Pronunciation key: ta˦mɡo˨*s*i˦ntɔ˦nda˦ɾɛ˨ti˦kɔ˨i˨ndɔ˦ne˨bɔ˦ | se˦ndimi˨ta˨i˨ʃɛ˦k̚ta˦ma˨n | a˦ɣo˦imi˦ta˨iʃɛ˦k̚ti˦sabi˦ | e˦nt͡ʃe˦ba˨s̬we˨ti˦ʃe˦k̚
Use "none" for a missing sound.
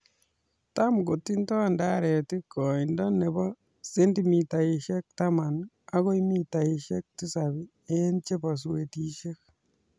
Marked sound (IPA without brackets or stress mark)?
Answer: t